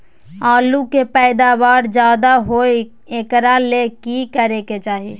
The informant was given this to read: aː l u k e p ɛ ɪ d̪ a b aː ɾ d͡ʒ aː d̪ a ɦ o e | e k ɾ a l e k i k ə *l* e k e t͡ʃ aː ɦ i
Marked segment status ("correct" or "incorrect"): incorrect